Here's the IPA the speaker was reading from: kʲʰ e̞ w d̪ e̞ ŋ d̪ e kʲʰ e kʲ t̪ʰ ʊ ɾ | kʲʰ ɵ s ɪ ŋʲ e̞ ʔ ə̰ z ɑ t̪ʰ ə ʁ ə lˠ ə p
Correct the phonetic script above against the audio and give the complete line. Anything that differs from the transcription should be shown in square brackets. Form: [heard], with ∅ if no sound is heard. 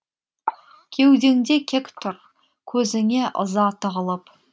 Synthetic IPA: kʲʰ e̞ w d̪ e̞ ŋ d̪ e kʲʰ e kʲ t̪ʰ ʊ ɾ | kʲʰ ɵ [z] ɪ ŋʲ e̞ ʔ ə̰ z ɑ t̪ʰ ə ʁ ə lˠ ə p